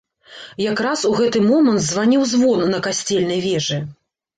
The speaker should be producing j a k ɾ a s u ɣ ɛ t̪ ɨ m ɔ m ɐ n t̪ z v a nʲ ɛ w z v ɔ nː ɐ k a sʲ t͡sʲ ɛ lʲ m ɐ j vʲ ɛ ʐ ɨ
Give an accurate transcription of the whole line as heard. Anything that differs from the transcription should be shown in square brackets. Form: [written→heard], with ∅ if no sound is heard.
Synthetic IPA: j a k ɾ a s u ɣ ɛ t̪ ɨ m ɔ m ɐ n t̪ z v a nʲ [ɛ→i] w z v ɔ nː ɐ k a sʲ t͡sʲ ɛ lʲ [m→n] ɐ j vʲ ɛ ʐ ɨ